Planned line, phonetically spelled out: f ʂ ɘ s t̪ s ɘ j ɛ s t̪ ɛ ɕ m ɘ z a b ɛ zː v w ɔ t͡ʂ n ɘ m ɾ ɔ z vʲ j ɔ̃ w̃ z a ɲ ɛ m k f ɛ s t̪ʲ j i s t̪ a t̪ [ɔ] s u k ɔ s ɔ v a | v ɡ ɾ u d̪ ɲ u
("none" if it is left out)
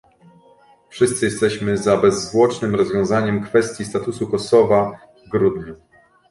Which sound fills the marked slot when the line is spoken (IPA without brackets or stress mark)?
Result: u